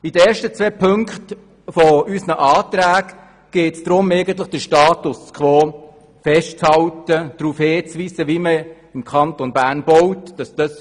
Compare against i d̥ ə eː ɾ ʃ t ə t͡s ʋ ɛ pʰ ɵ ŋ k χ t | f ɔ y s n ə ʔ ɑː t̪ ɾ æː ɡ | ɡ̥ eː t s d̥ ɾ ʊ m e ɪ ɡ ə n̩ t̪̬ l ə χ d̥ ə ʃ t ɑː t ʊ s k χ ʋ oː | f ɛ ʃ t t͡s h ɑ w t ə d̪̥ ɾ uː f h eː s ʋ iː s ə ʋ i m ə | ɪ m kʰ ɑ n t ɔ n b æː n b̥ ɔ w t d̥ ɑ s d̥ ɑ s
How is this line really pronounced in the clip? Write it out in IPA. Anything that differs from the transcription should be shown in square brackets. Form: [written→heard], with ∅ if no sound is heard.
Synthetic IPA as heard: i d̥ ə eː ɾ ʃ t ə t͡s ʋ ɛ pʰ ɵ ŋ k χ t | f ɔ y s n ə ʔ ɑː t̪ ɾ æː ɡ | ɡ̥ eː t s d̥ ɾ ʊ m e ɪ ɡ ə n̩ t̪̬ l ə χ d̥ ə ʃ t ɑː t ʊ s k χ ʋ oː | f ɛ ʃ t t͡s h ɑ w t ə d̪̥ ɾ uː f h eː [s→t͡s] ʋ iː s ə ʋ i m ə | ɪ m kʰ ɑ n t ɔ n b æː n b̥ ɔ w t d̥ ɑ s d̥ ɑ s